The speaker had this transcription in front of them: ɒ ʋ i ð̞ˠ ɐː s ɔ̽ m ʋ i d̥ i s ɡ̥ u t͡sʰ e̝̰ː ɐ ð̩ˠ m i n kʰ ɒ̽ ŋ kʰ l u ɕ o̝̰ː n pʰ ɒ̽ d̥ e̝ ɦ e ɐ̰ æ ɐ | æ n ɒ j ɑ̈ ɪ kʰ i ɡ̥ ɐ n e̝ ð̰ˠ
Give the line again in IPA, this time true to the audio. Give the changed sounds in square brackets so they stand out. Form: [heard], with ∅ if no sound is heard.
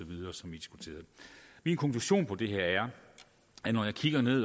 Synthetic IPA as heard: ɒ ʋ i ð̞ˠ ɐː s [ɒ̽] m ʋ i d̥ i s ɡ̥ u t͡sʰ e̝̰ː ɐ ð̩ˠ m i n kʰ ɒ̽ ŋ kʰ l u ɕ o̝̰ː n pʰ ɒ̽ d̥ e̝ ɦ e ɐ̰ æ ɐ | æ n ɒ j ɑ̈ ɪ kʰ i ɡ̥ ɐ n e̝ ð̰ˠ